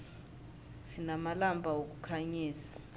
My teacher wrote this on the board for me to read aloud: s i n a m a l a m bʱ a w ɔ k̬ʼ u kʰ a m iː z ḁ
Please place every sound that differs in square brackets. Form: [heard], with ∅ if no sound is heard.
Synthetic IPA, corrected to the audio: s i n a m a l a m bʱ a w [o] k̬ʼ u kʰ a [ɲ] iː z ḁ